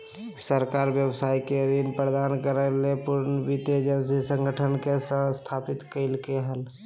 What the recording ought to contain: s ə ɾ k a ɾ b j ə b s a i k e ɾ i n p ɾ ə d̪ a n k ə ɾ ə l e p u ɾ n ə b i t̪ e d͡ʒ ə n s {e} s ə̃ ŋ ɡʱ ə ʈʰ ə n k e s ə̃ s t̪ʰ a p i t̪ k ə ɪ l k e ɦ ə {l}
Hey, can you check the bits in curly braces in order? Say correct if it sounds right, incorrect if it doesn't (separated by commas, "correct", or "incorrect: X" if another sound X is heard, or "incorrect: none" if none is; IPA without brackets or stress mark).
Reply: incorrect: i, correct